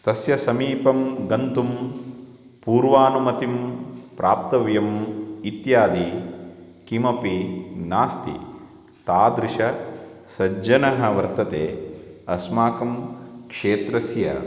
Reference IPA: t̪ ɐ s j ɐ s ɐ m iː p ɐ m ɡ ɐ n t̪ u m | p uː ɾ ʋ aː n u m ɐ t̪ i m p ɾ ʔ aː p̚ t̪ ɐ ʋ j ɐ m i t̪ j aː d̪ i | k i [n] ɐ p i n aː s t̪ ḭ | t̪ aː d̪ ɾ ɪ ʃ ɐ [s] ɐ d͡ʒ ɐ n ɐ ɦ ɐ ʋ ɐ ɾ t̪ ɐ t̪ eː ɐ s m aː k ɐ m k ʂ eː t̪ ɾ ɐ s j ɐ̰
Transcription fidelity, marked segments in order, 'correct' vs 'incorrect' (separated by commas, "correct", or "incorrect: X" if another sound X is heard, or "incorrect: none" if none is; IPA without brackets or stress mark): incorrect: m, correct